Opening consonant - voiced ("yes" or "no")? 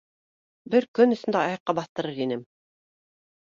yes